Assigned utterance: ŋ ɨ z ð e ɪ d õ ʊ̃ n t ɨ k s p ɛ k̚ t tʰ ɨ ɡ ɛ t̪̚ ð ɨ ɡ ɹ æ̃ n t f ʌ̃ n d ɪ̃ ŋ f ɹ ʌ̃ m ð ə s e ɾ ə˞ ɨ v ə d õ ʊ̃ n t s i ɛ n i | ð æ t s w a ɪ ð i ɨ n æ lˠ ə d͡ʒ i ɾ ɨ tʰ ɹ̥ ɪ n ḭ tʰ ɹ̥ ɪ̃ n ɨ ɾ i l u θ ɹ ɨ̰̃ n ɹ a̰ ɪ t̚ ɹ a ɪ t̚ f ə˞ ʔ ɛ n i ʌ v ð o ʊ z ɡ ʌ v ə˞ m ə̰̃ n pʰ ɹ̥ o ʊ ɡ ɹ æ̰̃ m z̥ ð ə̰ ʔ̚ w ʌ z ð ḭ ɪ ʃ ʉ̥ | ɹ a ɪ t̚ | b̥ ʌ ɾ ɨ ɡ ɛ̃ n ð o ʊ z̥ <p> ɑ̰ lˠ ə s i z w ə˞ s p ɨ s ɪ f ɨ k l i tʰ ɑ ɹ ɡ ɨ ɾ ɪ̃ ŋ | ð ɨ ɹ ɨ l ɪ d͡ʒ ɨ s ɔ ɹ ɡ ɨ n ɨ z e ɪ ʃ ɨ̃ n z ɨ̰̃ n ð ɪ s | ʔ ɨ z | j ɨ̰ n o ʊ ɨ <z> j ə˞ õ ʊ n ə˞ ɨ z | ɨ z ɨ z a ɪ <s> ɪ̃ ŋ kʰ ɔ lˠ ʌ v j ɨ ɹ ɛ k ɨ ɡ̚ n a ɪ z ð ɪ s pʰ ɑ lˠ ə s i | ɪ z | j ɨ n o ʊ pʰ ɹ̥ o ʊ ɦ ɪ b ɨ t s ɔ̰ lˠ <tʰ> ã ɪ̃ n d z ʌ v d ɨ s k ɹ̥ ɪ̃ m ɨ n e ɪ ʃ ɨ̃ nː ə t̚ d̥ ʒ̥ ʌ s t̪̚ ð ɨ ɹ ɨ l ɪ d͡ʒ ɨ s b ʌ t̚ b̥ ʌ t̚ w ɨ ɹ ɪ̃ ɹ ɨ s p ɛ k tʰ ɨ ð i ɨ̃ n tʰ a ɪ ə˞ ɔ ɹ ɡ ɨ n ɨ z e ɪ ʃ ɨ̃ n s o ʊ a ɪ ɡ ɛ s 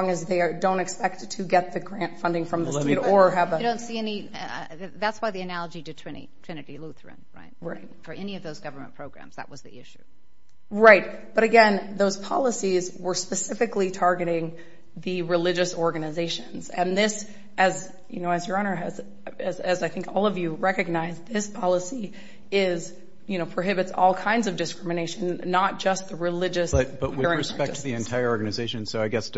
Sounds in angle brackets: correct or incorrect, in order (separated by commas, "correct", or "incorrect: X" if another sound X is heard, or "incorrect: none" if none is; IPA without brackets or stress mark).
incorrect: pʰ, correct, incorrect: θ, incorrect: kʰ